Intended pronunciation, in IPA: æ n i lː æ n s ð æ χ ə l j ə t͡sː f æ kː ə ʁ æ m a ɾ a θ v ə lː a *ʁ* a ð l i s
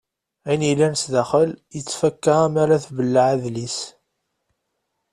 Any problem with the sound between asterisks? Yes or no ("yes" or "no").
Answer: yes